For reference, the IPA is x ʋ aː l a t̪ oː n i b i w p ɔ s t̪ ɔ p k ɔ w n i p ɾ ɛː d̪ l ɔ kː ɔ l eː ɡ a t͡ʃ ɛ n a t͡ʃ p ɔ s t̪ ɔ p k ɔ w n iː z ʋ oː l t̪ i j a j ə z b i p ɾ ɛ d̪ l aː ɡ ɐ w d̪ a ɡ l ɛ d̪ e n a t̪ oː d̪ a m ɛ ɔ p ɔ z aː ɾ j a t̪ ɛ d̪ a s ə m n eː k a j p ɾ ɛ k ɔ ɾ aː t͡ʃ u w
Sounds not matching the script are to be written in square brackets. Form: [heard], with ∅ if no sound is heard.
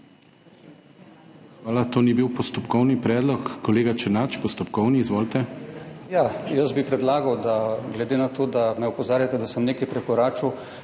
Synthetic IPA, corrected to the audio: x ʋ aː l a t̪ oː n i b i w p ɔ s t̪ ɔ p k ɔ w n i p ɾ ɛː d̪ l ɔ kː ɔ l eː ɡ a t͡ʃ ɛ n a t͡ʃ p ɔ s t̪ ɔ p k ɔ w n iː z ʋ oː l t̪ [ɛ] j a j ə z b i p ɾ ɛ d̪ l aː ɡ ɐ w d̪ a ɡ l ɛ d̪ e n a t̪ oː d̪ a m ɛ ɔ p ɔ z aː ɾ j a t̪ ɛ d̪ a s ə m n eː k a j p ɾ ɛ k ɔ ɾ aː t͡ʃ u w

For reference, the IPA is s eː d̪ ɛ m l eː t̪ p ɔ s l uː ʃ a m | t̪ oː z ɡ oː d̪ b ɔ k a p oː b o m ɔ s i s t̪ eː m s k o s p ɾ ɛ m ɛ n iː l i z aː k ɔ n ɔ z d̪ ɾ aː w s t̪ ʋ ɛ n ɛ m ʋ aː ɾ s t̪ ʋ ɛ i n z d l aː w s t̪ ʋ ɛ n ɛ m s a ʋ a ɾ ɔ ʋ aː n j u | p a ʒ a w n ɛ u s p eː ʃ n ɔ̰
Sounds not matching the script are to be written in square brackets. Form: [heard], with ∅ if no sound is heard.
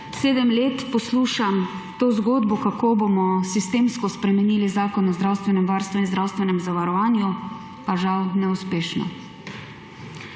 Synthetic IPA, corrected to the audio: s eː d̪ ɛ m l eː t̪ p ɔ s l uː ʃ a m | t̪ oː z ɡ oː d̪ b ɔ k a [k] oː b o m ɔ s i s t̪ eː m s k [ɔ] s p ɾ ɛ m ɛ n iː l i z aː k ɔ n ɔ z d̪ ɾ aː w s t̪ ʋ ɛ n ɛ m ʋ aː ɾ s t̪ ʋ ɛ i n z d [ɾ] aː w s t̪ ʋ ɛ n ɛ m [z] a ʋ a ɾ ɔ ʋ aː n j u | p a ʒ a w n ɛ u s p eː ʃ n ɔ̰

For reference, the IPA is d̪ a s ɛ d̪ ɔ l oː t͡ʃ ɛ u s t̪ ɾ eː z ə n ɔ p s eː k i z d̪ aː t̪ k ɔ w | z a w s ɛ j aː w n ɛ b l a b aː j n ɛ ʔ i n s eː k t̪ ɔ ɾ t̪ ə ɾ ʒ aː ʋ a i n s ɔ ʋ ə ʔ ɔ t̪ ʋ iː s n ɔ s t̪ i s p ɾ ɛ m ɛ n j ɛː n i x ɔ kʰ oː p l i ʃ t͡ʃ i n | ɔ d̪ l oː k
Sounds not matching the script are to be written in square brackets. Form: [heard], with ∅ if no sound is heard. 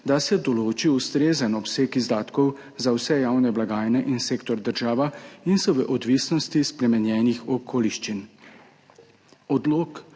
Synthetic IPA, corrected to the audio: d̪ a s ɛ d̪ ɔ l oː t͡ʃ [i] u s t̪ ɾ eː z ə n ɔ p s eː k i z d̪ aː t̪ k ɔ w | z a w s ɛ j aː w n ɛ b l a [ɡ] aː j n ɛ ʔ i n s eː k t̪ ɔ ɾ [d̪] ə ɾ ʒ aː ʋ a i n s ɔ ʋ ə ʔ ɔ [d̪] ʋ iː s n ɔ s t̪ i s p ɾ ɛ m ɛ n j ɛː n i x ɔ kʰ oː [∅] l i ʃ t͡ʃ i n | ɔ d̪ l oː k

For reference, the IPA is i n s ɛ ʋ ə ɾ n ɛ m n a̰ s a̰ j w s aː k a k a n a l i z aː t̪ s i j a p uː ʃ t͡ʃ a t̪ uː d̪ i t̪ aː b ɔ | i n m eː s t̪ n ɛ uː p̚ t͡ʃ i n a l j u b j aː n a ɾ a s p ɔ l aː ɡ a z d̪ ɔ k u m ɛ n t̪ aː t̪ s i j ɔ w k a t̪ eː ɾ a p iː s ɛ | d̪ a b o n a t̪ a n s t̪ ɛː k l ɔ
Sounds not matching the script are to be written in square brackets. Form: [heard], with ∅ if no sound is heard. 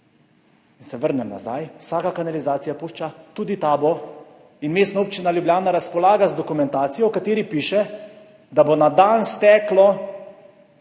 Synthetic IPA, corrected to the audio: i n s ɛ ʋ ə ɾ n ɛ m n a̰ [z] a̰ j w s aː k a k a n a l i z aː t̪ s i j a p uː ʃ t͡ʃ a t̪ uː d̪ i t̪ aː b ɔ | i n m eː s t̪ n [a] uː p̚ t͡ʃ i n a l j u b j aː n a ɾ a s p ɔ l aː ɡ a z d̪ ɔ k u m ɛ n t̪ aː t̪ s i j ɔ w k a t̪ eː ɾ [i] p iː [ʃ] ɛ | d̪ a b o n a [d̪] a n s t̪ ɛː k l ɔ

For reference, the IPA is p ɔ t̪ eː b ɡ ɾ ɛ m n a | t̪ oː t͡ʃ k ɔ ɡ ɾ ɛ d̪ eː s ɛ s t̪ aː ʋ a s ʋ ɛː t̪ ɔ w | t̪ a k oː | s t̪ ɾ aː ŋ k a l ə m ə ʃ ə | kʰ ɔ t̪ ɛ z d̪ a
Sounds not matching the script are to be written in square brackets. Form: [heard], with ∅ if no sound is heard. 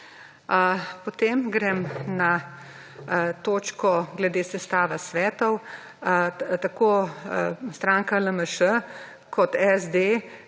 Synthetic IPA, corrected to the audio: p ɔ t̪ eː [m] ɡ ɾ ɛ m n a | t̪ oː t͡ʃ k ɔ ɡ [l] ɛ d̪ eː s ɛ s t̪ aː ʋ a s ʋ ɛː t̪ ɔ w | t̪ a k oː | s t̪ ɾ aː ŋ k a l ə m ə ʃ ə | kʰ ɔ t̪ ɛ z d̪ [e]

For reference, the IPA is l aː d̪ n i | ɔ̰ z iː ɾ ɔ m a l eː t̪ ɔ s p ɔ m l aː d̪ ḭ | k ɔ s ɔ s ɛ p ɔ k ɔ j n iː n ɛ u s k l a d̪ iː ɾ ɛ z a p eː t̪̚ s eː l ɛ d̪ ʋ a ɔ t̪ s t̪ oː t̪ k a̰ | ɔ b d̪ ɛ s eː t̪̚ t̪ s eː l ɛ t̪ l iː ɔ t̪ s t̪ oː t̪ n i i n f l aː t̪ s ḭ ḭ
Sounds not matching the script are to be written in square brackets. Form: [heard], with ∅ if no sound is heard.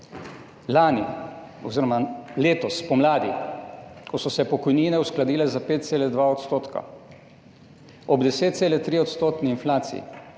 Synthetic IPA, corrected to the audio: l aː [∅] n i | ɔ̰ z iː ɾ ɔ m a l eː t̪ ɔ s p ɔ m l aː d̪ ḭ | k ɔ s ɔ s ɛ p ɔ k ɔ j n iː n ɛ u s k l a d̪ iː [l] ɛ z a p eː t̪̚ s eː l ɛ d̪ ʋ a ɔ t̪ s t̪ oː t̪ k a̰ | ɔ b d̪ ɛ s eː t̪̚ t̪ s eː l ɛ t̪ [ɾ] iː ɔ t̪ s t̪ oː t̪ n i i n f l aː t̪ s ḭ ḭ

